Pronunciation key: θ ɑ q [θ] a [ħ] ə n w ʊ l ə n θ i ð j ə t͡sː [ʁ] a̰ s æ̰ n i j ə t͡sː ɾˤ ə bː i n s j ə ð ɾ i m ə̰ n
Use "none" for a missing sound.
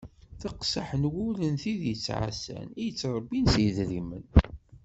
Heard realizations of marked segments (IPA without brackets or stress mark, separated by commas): s, ħ, ʕ